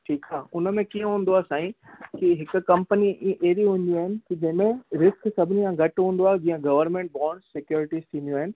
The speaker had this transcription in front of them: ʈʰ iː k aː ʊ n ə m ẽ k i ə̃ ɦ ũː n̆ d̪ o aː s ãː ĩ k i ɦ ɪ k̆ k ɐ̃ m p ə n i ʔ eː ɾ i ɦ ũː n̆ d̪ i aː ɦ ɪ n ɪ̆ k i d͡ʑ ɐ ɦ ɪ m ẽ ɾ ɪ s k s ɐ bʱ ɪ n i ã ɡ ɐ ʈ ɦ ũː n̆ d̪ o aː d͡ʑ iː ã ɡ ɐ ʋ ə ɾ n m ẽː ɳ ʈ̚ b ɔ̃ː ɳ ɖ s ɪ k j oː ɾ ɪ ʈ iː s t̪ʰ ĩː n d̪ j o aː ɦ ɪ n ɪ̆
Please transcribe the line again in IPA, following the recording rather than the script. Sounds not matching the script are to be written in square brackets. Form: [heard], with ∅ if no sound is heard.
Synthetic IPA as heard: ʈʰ iː k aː ʊ n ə m ẽ k i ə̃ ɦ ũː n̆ d̪ o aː s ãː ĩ k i ɦ ɪ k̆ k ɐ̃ m p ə n i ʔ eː ɾ i ɦ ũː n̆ d̪ i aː ɦ ɪ n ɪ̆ k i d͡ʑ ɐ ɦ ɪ m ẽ ɾ ɪ s k s ɐ bʱ ɪ n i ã ɡ ɐ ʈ ɦ ũː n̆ d̪ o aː d͡ʑ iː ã ɡ ɐ ʋ ə ɾ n m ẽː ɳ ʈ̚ b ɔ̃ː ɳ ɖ s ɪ k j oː ɾ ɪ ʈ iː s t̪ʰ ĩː n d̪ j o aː ɦ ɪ n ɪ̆

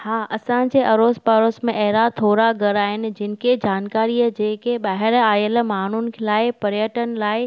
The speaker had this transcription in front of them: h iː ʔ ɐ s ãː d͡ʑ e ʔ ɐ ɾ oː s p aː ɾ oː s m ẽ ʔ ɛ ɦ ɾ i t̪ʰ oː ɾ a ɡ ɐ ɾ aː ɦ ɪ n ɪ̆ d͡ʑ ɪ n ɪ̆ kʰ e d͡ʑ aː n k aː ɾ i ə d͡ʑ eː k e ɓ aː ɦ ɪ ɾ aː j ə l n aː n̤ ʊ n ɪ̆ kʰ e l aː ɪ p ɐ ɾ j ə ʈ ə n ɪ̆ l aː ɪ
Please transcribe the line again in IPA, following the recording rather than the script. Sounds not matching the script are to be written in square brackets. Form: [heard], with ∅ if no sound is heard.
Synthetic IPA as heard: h [aː] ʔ ɐ s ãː d͡ʑ e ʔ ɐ ɾ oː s p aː ɾ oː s m ẽ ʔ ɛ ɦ ɾ [a] t̪ʰ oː ɾ a ɡ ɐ ɾ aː ɦ ɪ n ɪ̆ d͡ʑ ɪ n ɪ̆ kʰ e d͡ʑ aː n k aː ɾ i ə d͡ʑ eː k e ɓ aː ɦ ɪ ɾ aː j ə l [m] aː n̤ ʊ n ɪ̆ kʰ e l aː ɪ p ɐ ɾ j ə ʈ ə n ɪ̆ l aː ɪ

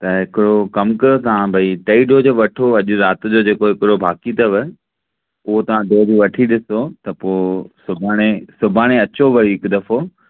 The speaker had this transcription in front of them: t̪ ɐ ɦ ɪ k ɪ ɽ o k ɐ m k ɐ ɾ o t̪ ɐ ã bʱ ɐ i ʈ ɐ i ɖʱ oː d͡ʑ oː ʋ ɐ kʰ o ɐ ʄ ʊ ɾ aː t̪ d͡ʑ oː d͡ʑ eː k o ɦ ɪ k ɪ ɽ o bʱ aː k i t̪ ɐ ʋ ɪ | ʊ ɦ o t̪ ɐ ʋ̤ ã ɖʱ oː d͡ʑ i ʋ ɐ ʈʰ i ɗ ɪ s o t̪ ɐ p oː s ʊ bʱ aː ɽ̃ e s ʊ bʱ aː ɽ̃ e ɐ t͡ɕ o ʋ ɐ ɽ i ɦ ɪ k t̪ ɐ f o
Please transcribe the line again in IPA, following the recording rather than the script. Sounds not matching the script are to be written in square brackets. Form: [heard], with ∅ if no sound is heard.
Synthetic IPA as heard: t̪ ɐ ɦ ɪ k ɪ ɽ o k ɐ m k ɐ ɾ o t̪ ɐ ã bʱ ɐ i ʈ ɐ i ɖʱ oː d͡ʑ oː ʋ ɐ [ʈʰ] o ɐ ʄ ʊ ɾ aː t̪ d͡ʑ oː d͡ʑ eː k o ɦ ɪ k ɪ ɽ o bʱ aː k i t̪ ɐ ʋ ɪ | ʊ ɦ o t̪ ɐ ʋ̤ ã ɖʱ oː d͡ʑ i ʋ ɐ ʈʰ i ɗ ɪ s o t̪ ɐ p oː s ʊ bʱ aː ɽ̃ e s ʊ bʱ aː ɽ̃ e ɐ t͡ɕ o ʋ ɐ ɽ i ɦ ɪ k [d̪] ɐ f o

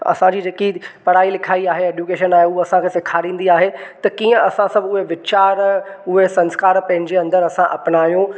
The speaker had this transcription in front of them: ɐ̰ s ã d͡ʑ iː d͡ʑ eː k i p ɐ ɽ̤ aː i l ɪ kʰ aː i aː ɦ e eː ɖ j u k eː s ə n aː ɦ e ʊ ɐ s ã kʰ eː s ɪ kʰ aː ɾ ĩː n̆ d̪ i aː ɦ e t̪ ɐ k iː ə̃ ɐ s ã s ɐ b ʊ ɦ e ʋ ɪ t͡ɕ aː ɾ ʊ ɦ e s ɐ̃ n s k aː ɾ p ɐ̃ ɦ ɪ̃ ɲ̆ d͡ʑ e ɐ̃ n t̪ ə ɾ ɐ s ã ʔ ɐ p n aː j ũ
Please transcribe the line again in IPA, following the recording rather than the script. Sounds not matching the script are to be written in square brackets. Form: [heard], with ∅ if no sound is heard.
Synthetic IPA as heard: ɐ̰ s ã d͡ʑ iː d͡ʑ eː k i p ɐ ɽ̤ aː i l ɪ kʰ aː i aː ɦ e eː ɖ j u k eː [ʃ] ə n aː ɦ e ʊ ɐ s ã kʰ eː s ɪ kʰ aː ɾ ĩː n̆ d̪ i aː ɦ e t̪ ɐ k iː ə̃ ɐ s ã s ɐ b ʊ ɦ e ʋ ɪ t͡ɕ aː ɾ ʊ ɦ e s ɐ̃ n s k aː ɾ p ɐ̃ ɦ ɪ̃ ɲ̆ d͡ʑ e ɐ̃ n [d̪] ə ɾ ɐ s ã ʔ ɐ p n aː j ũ

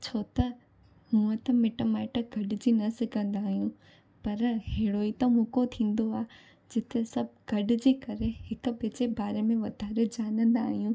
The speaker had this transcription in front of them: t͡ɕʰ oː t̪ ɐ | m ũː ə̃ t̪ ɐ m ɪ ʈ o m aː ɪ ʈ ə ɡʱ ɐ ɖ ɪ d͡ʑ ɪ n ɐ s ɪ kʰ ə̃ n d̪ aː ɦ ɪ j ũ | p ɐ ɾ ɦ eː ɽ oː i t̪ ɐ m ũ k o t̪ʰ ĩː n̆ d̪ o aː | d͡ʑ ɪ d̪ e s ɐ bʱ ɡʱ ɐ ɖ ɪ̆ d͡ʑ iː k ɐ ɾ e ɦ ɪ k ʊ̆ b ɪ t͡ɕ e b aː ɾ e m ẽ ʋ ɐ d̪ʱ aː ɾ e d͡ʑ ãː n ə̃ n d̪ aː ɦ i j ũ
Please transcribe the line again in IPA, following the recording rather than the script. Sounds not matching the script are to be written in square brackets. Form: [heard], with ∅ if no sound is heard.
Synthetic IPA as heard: t͡ɕʰ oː t̪ ɐ | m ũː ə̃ t̪ ɐ m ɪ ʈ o m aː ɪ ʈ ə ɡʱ ɐ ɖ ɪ d͡ʑ [i] n ɐ s ɪ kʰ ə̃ n d̪ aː ɦ [i] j ũ | p ɐ ɾ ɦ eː ɽ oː i t̪ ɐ m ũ k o t̪ʰ ĩː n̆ d̪ o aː | d͡ʑ ɪ [t̪] e s ɐ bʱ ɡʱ ɐ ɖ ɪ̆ d͡ʑ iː k ɐ ɾ e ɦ ɪ k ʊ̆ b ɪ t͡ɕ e b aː ɾ e m ẽ ʋ ɐ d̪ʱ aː ɾ e d͡ʑ [aː] n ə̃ n d̪ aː ɦ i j ũ

